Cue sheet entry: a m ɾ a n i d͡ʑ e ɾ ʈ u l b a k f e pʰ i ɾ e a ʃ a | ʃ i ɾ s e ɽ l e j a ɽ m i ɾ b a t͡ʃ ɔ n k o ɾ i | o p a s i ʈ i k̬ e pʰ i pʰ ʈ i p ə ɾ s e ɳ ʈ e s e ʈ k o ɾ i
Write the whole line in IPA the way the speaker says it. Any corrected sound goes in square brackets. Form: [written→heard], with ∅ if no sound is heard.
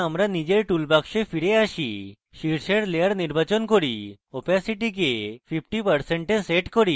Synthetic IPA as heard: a m ɾ a n i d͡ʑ e ɾ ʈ u l b a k [f→ʃ] e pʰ i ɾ e a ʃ [a→i] | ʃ i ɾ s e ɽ l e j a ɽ [m→n] i ɾ b a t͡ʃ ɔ n k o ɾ i | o p a s i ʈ i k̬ e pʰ i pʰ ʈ i p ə ɾ s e ɳ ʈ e s e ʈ k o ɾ i